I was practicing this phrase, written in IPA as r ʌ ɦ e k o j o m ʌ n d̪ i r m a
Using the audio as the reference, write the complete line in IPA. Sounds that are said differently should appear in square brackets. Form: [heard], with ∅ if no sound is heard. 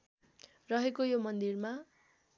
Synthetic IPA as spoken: r ʌ ɦ e k o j o m ʌ n d̪ i r m a

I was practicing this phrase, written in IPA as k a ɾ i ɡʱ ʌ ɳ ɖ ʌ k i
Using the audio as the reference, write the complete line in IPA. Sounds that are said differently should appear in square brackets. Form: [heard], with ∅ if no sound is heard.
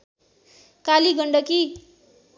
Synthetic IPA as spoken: k a [l] i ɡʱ ʌ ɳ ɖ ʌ k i

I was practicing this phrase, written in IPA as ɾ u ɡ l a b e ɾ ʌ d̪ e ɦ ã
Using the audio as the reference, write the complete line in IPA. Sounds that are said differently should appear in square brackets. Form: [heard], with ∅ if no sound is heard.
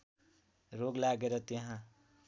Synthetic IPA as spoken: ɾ [o] ɡ l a [ɡ] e ɾ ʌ [t̪] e ɦ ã

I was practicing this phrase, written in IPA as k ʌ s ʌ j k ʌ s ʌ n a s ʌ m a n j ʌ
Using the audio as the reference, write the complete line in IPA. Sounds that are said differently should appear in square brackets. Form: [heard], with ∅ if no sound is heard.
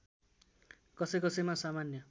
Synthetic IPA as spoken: k ʌ s ʌ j k ʌ s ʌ [m] a s [a] m a n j ʌ

